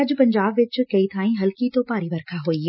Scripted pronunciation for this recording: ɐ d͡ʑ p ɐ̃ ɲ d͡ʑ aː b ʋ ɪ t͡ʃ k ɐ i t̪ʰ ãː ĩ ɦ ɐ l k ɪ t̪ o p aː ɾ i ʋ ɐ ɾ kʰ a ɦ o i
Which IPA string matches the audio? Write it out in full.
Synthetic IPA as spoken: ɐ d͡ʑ p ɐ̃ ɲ d͡ʑ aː b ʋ ɪ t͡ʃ k ɐ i t̪ʰ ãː ĩ ɦ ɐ l k i t̪ o p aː ɾ i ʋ ɐ ɾ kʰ a ɦ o i